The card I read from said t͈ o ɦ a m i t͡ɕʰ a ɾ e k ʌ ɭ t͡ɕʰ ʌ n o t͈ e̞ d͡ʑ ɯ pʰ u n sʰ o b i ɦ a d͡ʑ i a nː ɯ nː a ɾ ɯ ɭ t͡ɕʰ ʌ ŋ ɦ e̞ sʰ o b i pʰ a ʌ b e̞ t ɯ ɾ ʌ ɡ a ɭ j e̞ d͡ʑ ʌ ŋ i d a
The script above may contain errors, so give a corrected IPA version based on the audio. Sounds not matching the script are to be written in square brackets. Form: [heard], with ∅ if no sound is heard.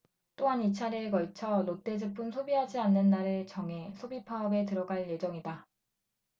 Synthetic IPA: t͈ o ɦ a [n] i t͡ɕʰ a ɾ e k ʌ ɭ t͡ɕʰ ʌ n o t͈ e̞ d͡ʑ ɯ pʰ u n sʰ o b i ɦ a d͡ʑ i a nː ɯ nː a ɾ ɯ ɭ [t͡ɕ] ʌ ŋ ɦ e̞ sʰ o b i pʰ a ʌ b e̞ t ɯ ɾ ʌ ɡ a ɭ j e̞ d͡ʑ ʌ ŋ i d a